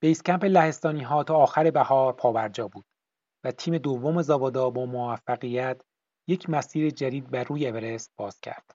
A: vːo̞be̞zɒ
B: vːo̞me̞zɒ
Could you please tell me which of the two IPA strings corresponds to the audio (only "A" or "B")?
B